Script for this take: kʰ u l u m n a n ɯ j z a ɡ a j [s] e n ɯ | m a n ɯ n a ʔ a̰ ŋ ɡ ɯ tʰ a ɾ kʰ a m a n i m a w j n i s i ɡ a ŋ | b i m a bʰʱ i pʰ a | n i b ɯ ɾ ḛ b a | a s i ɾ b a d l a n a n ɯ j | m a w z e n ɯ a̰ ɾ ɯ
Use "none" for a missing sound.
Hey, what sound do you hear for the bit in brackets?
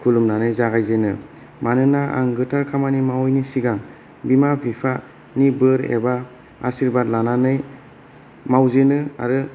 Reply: z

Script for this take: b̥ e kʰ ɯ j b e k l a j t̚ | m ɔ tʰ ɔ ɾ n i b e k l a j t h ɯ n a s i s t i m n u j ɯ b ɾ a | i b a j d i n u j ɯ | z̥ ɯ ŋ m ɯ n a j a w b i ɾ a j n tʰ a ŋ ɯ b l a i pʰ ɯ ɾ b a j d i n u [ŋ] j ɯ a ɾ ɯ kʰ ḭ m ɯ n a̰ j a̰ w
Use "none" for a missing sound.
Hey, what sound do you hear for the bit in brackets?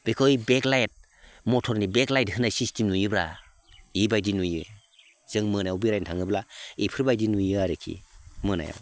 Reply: none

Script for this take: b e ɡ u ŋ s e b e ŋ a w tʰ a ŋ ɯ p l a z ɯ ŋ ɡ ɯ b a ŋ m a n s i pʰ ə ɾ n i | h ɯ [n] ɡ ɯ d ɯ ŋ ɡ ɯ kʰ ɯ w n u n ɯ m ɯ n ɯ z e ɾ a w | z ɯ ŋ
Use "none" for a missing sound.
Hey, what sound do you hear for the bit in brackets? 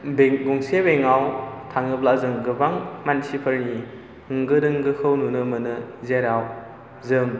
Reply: ŋ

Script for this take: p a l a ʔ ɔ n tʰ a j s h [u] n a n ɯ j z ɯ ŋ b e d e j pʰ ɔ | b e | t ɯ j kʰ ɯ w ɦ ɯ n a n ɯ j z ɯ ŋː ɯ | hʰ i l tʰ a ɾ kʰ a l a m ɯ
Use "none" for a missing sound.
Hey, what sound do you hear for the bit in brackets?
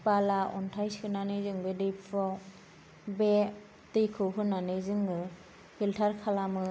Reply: ɯ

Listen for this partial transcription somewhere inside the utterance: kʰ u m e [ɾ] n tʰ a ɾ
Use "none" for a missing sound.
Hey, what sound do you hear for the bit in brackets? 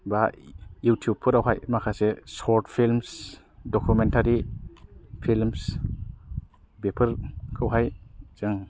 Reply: none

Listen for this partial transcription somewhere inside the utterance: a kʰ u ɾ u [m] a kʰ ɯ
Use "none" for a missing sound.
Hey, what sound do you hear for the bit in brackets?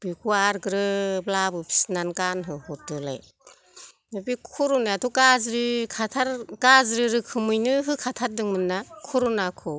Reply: n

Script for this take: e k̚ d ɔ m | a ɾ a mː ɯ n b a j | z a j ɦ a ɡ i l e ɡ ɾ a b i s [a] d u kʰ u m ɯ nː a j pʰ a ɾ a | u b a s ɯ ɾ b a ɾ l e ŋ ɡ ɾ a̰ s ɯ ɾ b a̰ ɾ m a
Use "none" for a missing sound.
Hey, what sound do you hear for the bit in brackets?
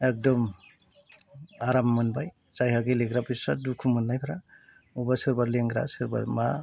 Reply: a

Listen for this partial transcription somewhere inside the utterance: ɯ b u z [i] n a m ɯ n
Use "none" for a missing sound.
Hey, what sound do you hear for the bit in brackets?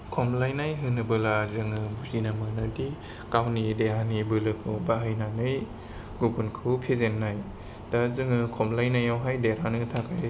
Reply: i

